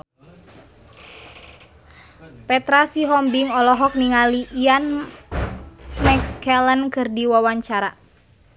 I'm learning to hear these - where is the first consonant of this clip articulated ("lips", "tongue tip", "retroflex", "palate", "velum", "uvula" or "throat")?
lips